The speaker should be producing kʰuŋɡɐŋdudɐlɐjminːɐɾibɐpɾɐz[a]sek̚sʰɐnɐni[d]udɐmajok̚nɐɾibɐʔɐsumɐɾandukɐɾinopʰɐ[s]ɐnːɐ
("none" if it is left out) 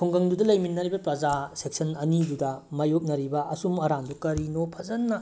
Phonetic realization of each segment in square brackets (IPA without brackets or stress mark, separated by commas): a, d, z